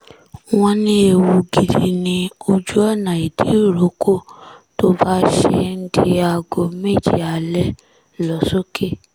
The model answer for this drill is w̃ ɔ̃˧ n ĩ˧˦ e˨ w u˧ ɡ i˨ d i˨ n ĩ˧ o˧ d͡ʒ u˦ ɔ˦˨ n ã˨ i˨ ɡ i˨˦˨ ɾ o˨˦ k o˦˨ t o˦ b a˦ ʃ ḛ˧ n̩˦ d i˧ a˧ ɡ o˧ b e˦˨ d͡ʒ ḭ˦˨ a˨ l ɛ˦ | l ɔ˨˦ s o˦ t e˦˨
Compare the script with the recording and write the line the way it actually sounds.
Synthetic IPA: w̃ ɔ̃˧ n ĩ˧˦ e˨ w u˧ ɡ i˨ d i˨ n ĩ˧ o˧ d͡ʒ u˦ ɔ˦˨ n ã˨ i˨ d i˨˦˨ ɾ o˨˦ k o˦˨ t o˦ b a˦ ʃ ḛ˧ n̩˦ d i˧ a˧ ɡ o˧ m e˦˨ d͡ʒ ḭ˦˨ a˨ l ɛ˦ | l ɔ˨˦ s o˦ k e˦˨